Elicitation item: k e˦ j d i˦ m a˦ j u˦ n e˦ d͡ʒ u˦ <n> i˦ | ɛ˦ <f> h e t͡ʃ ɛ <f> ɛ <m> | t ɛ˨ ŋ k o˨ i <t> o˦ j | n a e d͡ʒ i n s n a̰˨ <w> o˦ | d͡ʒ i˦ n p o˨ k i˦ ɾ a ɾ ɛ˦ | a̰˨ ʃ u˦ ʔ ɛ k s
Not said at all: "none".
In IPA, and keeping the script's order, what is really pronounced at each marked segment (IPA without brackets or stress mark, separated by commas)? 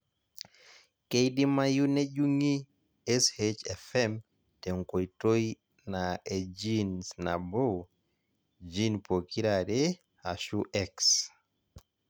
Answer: ŋ, s, f, m, t, b